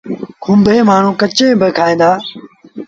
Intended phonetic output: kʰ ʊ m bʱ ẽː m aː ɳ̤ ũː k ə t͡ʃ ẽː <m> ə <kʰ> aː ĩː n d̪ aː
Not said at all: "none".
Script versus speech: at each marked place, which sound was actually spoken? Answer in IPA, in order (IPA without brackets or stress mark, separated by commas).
b, kʰ